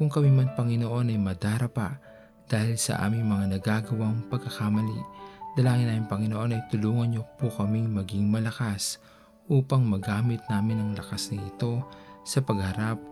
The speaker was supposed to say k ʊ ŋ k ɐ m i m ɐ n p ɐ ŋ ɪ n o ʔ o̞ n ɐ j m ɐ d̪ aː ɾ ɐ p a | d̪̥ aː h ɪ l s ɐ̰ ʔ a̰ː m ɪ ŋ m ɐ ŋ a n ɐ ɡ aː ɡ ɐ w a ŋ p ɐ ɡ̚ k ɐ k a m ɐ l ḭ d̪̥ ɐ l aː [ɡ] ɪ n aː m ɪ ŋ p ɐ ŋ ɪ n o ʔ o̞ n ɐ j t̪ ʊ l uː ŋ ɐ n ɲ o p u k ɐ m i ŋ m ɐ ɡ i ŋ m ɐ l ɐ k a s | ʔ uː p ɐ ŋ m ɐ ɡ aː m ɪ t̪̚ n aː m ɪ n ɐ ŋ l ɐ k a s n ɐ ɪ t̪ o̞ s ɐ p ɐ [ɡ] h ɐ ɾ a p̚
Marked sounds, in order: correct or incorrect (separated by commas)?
incorrect, correct